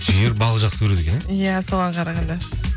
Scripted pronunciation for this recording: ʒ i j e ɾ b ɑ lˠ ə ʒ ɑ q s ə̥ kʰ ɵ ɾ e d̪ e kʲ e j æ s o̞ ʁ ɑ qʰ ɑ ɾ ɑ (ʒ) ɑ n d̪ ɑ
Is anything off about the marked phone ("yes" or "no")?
yes